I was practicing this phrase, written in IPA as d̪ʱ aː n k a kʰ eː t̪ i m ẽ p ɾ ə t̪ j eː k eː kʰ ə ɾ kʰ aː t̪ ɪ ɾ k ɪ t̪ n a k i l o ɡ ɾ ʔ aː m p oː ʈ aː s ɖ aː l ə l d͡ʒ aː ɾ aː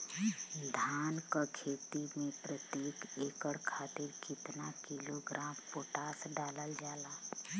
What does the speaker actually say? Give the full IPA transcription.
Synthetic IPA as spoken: d̪ʱ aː n k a kʰ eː t̪ i m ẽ p ɾ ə t̪ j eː k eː k ə ɽ kʰ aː t̪ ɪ ɾ k ɪ t̪ n a k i l o ɡ ɾ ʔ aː m p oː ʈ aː s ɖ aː l ə l d͡ʒ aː l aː